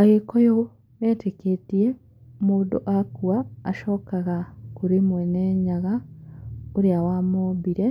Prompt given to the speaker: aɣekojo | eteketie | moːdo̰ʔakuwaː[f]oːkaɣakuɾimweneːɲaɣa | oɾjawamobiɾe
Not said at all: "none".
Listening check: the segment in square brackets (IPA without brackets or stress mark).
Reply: ʃ